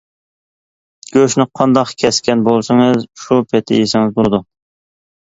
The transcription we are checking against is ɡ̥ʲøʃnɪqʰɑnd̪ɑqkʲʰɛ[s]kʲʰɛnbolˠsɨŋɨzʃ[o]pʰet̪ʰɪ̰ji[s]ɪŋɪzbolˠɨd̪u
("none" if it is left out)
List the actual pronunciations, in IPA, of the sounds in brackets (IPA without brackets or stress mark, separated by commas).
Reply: s, u, s